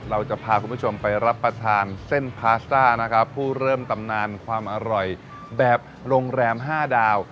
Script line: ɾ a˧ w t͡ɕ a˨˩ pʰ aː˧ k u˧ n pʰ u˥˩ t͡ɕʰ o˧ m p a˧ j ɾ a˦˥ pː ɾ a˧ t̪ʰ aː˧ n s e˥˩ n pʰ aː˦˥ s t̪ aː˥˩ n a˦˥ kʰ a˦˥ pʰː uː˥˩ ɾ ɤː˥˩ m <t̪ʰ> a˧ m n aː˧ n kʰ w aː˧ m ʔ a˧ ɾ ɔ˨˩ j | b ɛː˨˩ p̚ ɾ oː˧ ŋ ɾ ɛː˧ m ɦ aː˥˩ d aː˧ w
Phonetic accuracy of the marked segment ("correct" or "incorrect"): incorrect